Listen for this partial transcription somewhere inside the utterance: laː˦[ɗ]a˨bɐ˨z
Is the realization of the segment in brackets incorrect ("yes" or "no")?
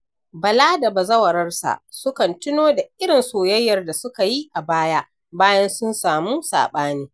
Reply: yes